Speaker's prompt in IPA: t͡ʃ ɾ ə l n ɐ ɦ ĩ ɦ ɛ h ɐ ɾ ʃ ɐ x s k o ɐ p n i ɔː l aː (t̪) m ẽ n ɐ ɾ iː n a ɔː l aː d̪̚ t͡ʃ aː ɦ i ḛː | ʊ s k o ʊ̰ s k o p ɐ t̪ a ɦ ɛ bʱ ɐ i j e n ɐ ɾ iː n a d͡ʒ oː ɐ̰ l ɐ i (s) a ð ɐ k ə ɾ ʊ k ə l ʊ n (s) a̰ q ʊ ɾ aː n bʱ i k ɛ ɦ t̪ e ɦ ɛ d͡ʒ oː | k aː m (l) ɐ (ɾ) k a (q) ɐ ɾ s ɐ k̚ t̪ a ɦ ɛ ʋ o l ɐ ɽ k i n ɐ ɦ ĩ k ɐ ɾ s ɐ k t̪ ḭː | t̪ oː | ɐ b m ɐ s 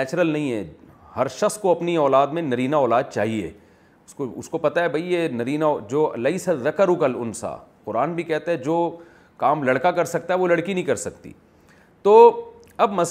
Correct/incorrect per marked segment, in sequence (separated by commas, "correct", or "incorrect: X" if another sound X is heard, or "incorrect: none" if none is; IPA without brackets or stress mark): incorrect: d̪, correct, correct, correct, incorrect: ɽ, incorrect: k